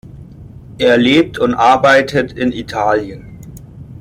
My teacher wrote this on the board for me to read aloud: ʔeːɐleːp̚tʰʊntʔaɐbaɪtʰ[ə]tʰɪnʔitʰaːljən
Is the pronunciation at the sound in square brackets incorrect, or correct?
correct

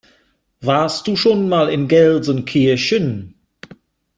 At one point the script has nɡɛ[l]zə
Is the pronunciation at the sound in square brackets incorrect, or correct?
correct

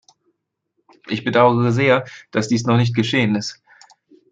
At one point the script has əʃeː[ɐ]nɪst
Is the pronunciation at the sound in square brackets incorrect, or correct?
incorrect: ə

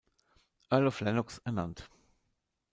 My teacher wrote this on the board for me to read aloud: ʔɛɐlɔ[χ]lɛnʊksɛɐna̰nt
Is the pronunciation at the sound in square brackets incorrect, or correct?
incorrect: f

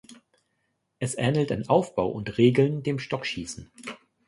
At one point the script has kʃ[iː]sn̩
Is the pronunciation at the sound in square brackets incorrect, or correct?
correct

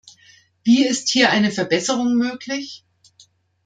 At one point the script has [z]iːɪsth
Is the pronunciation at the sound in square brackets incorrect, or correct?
incorrect: v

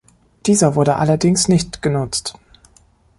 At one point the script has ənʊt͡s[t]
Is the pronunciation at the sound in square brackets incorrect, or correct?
correct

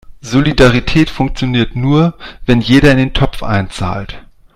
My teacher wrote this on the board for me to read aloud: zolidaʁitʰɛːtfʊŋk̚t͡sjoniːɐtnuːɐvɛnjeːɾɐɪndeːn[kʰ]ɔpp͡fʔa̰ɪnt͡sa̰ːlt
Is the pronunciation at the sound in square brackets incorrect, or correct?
incorrect: tʰ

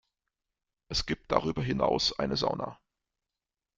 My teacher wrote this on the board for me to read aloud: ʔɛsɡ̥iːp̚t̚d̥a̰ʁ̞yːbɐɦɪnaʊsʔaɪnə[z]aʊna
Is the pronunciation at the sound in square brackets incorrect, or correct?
correct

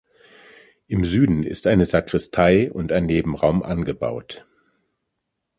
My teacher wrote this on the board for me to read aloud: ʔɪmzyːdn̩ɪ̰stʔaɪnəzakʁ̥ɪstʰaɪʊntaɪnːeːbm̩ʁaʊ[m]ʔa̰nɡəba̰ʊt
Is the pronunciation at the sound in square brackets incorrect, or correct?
correct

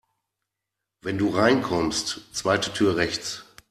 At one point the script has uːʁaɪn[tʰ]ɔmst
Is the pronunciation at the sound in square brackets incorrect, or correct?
incorrect: kʰ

